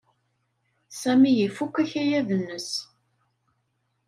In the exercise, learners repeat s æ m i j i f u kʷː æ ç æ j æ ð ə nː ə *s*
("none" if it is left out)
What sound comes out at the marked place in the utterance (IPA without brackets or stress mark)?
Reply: s